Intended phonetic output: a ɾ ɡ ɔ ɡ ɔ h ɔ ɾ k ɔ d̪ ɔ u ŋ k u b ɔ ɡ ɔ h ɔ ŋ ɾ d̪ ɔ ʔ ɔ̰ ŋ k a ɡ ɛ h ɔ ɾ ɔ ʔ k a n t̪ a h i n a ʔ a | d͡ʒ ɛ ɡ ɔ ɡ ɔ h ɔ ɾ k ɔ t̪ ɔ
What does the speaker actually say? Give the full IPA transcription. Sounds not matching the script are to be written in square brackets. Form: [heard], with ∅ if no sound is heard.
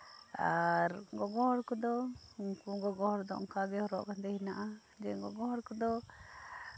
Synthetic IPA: a ɾ ɡ ɔ ɡ ɔ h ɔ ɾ k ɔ d̪ ɔ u ŋ k u [ɡ] ɔ ɡ ɔ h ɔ [∅] ɾ d̪ ɔ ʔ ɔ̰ ŋ k a ɡ ɛ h ɔ ɾ ɔ ʔ k a n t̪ [ɛ] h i n a ʔ a | d͡ʒ ɛ ɡ ɔ ɡ ɔ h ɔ ɾ k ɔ [d̪] ɔ